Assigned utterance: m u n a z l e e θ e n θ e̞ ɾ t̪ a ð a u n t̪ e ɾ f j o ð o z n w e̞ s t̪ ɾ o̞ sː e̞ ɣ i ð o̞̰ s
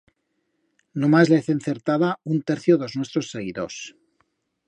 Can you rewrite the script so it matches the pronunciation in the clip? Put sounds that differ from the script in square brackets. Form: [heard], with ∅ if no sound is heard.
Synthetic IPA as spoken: [n] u [m] a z l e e θ e n θ e̞ ɾ t̪ a ð a u n t̪ e ɾ [θ] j o ð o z n w e̞ s t̪ ɾ o̞ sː e̞ ɣ i ð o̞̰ s